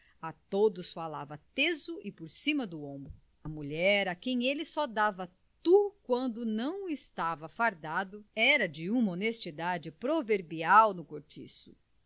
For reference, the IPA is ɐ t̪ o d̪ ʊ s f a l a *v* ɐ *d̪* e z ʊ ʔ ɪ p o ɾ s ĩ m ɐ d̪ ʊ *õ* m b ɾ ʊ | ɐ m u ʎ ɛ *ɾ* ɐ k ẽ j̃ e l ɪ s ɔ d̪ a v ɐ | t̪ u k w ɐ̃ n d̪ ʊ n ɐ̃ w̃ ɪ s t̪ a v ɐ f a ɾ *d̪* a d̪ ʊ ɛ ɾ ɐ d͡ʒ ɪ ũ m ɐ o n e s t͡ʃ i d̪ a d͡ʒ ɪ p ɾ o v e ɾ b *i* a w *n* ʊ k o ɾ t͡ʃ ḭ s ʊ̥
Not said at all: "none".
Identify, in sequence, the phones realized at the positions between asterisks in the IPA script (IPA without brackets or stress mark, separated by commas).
v, t̪, õ, ɾ, d̪, i, n